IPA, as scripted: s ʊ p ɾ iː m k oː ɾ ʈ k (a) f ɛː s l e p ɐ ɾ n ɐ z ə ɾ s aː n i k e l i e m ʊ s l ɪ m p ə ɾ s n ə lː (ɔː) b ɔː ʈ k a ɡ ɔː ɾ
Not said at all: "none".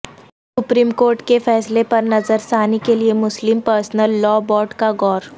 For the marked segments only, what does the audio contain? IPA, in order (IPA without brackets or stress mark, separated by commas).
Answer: e, ɔː